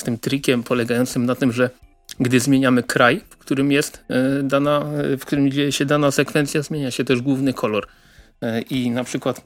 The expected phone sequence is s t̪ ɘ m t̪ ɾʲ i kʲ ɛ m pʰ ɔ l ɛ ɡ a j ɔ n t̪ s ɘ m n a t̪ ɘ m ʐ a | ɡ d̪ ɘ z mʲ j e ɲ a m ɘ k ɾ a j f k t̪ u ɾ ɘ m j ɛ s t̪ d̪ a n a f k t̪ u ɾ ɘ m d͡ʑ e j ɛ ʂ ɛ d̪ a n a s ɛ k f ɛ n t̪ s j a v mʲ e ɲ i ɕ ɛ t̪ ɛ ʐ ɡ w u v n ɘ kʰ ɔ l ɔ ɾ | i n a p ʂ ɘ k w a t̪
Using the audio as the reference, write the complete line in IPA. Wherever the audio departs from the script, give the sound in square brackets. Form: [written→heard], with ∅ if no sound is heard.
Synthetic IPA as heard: s t̪ ɘ m t̪ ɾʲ i kʲ ɛ m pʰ ɔ l ɛ ɡ a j ɔ n t̪ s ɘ m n a t̪ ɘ m ʐ [a→ɛ] | ɡ d̪ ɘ z mʲ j e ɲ a m ɘ k ɾ a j f k t̪ u ɾ ɘ m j ɛ s t̪ d̪ a n a f k t̪ u ɾ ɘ m d͡ʑ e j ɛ [ʂ→ɕ] ɛ d̪ a n a s ɛ k f ɛ n t̪ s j a [v→z] mʲ e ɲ [i→a] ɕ ɛ t̪ ɛ ʐ ɡ w u v n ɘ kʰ ɔ l ɔ ɾ | i n a p ʂ ɘ k w a t̪